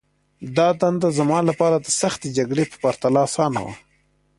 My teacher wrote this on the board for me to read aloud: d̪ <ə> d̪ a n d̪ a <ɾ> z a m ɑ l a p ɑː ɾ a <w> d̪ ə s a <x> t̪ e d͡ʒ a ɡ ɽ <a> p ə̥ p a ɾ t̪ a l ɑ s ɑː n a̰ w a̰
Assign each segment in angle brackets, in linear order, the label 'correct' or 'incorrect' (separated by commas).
incorrect, incorrect, incorrect, correct, incorrect